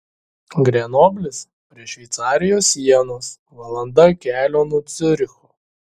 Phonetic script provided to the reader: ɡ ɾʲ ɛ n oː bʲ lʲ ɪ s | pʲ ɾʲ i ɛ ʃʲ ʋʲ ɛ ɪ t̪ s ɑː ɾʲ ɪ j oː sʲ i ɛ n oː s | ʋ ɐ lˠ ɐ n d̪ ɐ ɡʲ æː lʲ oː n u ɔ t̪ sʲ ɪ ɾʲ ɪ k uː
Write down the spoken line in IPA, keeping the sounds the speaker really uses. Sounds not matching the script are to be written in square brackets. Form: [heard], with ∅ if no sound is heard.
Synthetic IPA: ɡ ɾʲ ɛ n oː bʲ lʲ ɪ s | pʲ ɾʲ i ɛ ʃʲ ʋʲ ɛ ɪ t̪ s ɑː ɾʲ ɪ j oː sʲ i ɛ n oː s | ʋ ɐ lˠ ɐ n d̪ ɐ [kʲ] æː lʲ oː n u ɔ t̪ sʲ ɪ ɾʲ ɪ [x] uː